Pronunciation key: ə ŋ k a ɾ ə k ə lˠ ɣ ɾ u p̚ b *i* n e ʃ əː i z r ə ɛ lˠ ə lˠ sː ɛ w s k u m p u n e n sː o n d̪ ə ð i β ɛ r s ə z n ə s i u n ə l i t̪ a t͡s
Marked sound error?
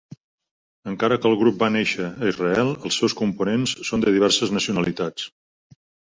yes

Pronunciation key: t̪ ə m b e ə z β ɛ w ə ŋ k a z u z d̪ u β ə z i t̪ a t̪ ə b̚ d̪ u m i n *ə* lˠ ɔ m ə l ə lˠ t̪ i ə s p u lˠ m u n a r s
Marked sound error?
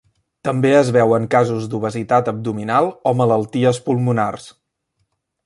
yes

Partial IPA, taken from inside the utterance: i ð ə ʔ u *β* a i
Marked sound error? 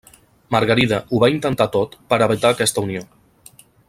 no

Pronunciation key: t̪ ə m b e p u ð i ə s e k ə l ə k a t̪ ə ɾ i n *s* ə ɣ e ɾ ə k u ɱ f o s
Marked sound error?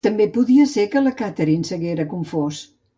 no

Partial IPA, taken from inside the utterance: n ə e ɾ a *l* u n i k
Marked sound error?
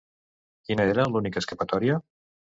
no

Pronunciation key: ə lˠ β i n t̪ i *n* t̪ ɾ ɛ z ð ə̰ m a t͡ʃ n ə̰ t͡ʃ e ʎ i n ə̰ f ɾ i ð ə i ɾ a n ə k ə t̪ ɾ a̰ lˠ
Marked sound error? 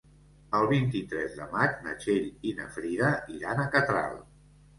yes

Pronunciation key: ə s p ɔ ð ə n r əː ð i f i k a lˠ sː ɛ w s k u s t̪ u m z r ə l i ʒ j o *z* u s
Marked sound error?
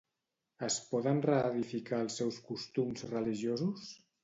no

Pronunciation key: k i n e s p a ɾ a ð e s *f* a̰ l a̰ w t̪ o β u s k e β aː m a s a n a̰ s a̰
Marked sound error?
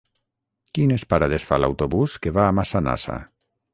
no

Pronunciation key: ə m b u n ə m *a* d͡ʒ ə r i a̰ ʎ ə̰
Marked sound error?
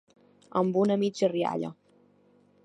yes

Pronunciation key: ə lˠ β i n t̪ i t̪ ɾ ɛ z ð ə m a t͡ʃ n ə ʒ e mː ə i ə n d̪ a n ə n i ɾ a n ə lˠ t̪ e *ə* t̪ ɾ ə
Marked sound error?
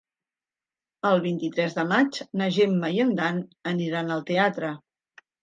yes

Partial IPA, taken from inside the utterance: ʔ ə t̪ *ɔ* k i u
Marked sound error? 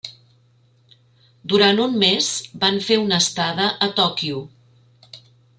no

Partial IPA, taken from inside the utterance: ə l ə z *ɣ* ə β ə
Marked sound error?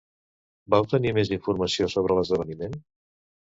yes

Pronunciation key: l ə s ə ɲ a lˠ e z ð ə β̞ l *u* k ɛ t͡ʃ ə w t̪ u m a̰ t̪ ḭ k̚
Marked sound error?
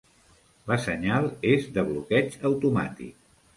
no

